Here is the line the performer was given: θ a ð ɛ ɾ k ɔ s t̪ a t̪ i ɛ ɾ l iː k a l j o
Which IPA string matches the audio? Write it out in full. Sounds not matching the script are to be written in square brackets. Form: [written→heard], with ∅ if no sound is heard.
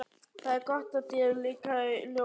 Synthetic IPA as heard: θ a ð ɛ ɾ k ɔ [s→h] t̪ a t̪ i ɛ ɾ l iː k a l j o